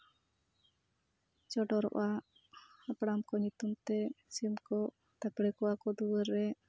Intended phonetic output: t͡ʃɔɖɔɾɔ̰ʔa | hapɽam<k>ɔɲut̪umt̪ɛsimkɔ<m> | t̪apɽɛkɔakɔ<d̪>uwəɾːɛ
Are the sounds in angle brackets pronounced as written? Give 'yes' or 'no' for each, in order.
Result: yes, no, yes

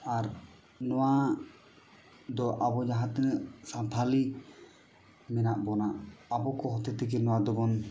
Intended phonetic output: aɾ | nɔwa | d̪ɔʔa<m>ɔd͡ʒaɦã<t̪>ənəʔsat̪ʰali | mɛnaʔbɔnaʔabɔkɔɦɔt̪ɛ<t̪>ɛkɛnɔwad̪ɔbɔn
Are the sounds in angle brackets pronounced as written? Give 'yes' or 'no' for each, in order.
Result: no, yes, yes

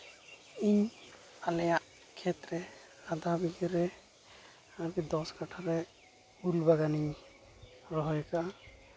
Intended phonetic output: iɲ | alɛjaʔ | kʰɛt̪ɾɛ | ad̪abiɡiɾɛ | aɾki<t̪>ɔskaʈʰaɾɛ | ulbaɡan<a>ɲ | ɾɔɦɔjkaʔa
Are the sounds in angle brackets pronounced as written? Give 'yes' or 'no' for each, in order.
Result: no, no

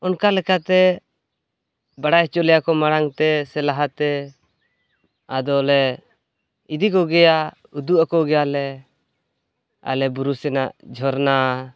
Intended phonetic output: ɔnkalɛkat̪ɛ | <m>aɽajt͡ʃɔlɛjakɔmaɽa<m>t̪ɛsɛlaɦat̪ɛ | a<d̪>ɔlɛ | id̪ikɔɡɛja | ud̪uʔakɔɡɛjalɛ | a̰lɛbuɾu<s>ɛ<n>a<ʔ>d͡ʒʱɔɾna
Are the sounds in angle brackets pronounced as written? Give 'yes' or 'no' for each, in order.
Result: no, no, yes, yes, yes, yes

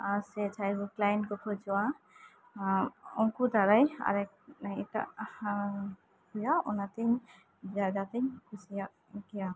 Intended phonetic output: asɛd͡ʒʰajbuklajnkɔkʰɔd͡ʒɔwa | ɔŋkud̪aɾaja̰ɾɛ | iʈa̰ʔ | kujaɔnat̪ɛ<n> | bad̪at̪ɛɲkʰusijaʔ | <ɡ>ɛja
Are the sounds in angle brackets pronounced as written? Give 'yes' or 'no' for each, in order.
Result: no, no

